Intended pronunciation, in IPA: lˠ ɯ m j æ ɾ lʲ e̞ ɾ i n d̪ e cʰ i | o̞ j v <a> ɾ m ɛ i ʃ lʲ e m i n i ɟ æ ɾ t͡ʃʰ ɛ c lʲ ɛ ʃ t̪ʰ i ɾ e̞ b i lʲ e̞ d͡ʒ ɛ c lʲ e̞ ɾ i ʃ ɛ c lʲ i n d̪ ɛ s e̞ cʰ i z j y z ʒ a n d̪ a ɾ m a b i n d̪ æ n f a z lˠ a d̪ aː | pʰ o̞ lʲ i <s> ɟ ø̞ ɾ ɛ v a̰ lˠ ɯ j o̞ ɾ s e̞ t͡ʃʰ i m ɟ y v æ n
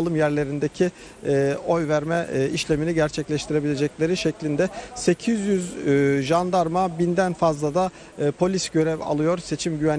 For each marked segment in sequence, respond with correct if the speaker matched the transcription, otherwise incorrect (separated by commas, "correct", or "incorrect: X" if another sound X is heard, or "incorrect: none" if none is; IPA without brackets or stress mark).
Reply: incorrect: æ, correct